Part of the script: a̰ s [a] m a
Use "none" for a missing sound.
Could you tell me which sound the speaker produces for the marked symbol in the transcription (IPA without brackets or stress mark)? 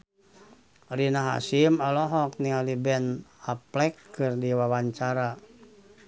i